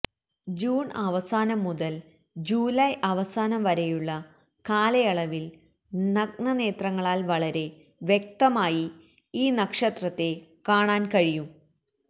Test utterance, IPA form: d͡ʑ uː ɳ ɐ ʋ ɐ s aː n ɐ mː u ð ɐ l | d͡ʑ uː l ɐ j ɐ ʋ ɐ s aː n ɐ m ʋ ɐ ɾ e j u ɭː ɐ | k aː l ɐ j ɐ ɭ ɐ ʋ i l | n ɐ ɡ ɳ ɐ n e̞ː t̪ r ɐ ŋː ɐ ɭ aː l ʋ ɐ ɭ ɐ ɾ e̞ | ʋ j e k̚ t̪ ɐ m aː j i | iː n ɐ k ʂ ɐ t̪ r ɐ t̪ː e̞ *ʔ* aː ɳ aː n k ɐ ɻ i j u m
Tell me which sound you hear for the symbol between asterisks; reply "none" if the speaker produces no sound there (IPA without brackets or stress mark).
k